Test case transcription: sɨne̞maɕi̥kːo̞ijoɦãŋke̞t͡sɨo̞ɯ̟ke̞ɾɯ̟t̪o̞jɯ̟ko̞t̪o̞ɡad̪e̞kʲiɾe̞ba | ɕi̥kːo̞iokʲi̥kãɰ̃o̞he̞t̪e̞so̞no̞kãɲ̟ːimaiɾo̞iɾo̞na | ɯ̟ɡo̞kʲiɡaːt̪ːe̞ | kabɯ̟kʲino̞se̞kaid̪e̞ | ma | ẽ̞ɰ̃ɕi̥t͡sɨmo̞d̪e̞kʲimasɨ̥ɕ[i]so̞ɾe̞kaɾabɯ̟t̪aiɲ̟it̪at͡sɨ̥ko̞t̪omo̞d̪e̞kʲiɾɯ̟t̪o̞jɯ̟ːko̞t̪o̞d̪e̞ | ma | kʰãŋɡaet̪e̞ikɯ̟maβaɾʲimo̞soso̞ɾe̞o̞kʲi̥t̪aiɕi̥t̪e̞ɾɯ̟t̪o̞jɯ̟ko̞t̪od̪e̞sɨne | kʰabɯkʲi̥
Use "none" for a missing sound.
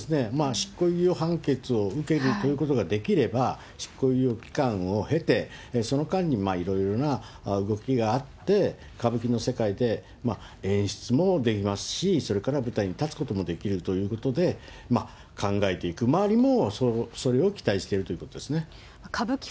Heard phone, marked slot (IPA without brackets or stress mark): i